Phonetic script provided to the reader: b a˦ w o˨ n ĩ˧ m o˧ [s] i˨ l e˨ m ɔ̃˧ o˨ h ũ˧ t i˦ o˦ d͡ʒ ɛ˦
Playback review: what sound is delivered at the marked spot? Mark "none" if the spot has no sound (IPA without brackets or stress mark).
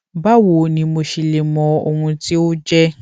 ʃ